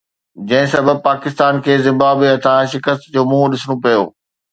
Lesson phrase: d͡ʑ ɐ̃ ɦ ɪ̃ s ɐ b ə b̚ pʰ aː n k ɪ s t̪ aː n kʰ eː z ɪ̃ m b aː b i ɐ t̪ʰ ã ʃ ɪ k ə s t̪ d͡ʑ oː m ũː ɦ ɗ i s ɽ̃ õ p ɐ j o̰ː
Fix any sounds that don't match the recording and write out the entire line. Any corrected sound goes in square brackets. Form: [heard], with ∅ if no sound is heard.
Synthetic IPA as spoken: d͡ʑ ɐ̃ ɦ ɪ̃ s ɐ b ə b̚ [p] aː [∅] k ɪ s t̪ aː n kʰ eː z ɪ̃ m b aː b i ɐ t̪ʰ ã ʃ ɪ k ə s t̪ d͡ʑ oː m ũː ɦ ɗ [ɪ] s ɽ̃ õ p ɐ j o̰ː